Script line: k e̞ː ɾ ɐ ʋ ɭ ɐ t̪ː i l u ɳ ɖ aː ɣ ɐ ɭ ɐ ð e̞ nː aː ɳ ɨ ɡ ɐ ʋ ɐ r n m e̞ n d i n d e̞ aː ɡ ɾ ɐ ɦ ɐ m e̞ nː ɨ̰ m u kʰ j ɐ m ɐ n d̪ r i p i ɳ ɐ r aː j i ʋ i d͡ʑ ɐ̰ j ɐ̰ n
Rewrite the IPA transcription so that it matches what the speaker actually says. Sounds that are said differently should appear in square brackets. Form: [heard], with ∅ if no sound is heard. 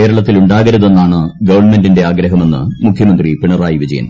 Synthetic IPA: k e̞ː ɾ ɐ [∅] ɭ ɐ t̪ː i l u ɳ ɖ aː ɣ ɐ [ɾ] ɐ ð e̞ nː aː ɳ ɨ ɡ ɐ ʋ ɐ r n m e̞ n d i n d e̞ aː ɡ ɾ ɐ ɦ ɐ m e̞ nː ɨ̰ m u kʰ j ɐ m ɐ n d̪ r i p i ɳ ɐ r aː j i ʋ i d͡ʑ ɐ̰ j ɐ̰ n